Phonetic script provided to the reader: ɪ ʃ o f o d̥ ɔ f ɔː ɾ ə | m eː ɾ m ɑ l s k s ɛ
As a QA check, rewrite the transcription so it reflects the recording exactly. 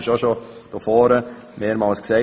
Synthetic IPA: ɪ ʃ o ʃ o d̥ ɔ f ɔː ɾ ə | m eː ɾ m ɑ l s k s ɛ